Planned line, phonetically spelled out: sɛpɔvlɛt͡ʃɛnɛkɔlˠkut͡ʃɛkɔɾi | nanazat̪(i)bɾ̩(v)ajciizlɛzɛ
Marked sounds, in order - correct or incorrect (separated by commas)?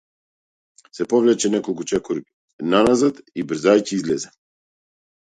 correct, incorrect